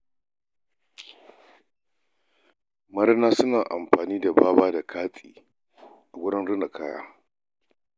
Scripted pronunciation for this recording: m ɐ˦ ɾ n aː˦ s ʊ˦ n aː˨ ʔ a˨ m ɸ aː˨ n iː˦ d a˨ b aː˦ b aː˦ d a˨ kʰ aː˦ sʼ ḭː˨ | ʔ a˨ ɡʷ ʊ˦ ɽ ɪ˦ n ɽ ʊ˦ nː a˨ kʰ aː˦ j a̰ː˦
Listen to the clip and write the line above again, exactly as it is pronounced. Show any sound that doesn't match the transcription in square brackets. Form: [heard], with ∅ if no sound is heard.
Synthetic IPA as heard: m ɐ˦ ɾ n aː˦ s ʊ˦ n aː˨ ʔ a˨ m ɸ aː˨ n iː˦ d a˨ b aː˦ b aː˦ d a˨ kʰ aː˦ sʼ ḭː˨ | ʔ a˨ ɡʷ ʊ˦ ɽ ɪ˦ n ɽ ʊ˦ [n] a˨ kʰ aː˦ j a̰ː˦